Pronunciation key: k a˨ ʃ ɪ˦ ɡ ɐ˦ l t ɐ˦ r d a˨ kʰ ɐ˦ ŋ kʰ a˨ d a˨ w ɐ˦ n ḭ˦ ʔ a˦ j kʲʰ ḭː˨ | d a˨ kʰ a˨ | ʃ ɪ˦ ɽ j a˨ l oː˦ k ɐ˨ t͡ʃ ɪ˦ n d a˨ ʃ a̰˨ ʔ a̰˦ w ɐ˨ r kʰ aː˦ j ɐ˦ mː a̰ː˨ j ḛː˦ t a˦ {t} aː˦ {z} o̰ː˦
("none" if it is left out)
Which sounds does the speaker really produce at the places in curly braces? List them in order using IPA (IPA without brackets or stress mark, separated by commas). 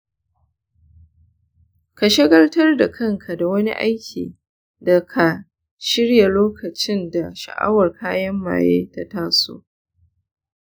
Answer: t, s